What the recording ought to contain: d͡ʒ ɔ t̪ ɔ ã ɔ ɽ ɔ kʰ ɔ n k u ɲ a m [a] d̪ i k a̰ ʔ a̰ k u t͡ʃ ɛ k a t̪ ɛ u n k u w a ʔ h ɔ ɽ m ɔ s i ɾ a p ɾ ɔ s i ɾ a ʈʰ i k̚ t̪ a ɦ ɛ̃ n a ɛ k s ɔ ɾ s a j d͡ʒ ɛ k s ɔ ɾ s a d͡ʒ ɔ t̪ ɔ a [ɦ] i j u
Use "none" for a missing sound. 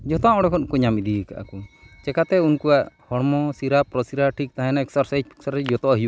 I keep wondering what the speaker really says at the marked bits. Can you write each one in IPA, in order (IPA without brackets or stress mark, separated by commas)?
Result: i, ɦ